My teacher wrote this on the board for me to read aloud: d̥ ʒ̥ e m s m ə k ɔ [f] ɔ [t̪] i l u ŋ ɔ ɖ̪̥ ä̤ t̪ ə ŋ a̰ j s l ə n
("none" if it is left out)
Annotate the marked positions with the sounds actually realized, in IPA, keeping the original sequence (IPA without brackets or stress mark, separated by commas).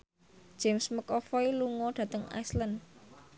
f, none